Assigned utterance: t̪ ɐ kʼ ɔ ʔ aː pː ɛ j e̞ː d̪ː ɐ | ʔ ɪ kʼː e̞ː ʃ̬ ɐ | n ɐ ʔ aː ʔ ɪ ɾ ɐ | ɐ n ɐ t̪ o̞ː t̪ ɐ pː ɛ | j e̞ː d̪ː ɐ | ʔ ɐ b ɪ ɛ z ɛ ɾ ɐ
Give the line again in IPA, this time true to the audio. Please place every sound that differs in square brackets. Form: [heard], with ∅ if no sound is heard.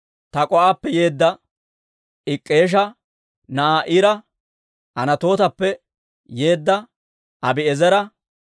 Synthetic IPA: t̪ ɐ kʼ ɔ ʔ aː pː ɛ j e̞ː d̪ː ɐ | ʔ ɪ kʼː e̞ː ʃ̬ ɐ | n ɐ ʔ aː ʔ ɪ ɾ ɐ | ɐ n ɐ t̪ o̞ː t̪ ɐ pː ɛ | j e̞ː d̪ː ɐ | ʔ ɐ b ɪ ɛ z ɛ ɾ ɐ